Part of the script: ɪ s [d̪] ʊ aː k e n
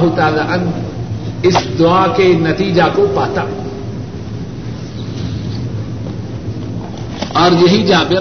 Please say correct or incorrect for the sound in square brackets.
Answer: correct